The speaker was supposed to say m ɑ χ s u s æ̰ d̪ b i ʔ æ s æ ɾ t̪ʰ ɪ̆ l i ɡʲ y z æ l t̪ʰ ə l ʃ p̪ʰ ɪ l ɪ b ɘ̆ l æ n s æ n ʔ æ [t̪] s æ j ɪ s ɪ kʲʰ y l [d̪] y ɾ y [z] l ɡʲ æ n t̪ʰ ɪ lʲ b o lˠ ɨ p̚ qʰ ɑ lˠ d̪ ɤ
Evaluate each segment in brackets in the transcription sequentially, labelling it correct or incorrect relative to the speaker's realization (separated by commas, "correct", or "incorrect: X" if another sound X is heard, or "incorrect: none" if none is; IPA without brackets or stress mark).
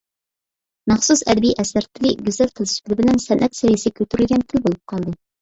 correct, incorrect: t̪, incorrect: none